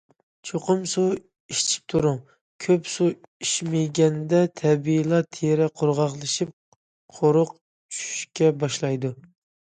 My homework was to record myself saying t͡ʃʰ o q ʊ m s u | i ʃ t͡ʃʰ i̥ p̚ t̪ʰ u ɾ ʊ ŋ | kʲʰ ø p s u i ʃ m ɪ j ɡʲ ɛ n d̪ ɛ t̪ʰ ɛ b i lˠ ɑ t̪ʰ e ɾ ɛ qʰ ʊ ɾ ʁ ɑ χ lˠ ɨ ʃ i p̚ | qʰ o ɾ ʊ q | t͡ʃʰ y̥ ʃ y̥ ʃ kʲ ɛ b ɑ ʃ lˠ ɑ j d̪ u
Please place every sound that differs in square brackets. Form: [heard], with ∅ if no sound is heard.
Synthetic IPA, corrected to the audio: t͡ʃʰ o q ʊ m s u | i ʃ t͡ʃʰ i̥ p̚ t̪ʰ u ɾ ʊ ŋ | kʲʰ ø p s u i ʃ m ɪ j ɡʲ ɛ n d̪ ɛ t̪ʰ ɛ b i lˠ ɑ t̪ʰ e ɾ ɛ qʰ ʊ ɾ ʁ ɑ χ lˠ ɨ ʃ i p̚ | qʰ o ɾ ʊ q | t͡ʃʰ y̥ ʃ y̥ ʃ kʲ ɛ b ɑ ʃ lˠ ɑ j d̪ u